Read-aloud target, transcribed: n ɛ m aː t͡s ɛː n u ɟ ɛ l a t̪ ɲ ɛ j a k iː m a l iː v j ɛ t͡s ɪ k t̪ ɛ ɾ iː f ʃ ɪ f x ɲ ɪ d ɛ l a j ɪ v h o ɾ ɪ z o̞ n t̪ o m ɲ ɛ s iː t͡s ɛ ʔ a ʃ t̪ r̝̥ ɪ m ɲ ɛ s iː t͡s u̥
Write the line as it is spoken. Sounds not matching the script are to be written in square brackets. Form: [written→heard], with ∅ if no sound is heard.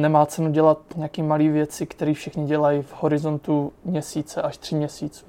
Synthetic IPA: n ɛ m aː t͡s [ɛː→ɛ] n u ɟ ɛ l a t̪ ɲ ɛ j a k iː m a l iː v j ɛ t͡s ɪ k t̪ ɛ ɾ iː f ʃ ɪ [f→∅] x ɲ ɪ [d→ɟ] ɛ l a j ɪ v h o ɾ ɪ z o̞ n t̪ [o→u] m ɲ ɛ s iː t͡s ɛ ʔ a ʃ t̪ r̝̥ ɪ m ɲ ɛ s iː t͡s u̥